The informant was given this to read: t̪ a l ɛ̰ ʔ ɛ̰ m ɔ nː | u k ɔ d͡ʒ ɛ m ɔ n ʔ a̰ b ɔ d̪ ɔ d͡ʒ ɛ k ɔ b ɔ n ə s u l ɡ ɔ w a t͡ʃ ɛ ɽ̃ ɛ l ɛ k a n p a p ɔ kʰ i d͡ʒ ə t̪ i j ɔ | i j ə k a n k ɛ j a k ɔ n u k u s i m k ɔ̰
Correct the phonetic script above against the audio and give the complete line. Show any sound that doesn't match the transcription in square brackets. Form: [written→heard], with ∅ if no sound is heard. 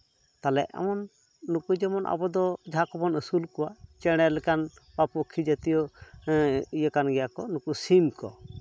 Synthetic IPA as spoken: t̪ a l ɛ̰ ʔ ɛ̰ m ɔ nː | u k [ɔ→u] d͡ʒ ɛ m ɔ n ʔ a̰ b ɔ d̪ ɔ d͡ʒ [ɛ→a] k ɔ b ɔ n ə s u l [ɡ→k] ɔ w a t͡ʃ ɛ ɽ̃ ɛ l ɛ k a n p a p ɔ kʰ i d͡ʒ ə t̪ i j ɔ | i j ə k a n [k→ɡ] ɛ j a k ɔ n u k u s i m k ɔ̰